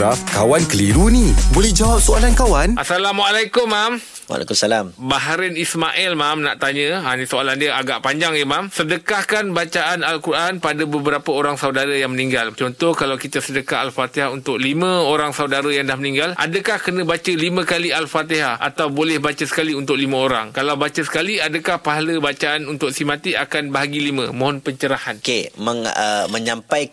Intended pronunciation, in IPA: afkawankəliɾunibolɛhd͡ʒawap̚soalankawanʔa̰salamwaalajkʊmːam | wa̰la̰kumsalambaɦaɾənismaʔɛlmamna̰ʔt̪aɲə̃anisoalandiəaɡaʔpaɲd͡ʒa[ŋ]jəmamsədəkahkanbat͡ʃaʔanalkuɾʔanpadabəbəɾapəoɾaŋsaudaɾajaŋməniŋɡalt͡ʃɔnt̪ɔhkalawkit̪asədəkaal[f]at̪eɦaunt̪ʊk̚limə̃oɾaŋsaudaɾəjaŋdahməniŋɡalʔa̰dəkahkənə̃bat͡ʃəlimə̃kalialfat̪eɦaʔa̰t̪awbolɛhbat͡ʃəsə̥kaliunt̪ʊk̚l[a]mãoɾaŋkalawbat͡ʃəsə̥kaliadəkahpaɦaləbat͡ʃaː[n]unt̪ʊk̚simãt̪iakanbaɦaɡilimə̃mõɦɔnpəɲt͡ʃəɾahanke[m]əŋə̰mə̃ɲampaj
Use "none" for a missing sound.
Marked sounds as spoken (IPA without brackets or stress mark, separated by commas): ŋ, f, i, n, m